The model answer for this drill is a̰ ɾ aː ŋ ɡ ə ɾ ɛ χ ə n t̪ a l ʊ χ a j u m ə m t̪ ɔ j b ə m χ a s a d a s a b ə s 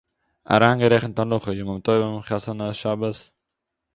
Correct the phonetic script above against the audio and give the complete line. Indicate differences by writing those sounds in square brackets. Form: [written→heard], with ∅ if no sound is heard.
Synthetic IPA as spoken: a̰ ɾ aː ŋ ɡ ə ɾ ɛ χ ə n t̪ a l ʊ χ [a→ə] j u m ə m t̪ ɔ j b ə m χ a s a [d→n] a [s→ʃ] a b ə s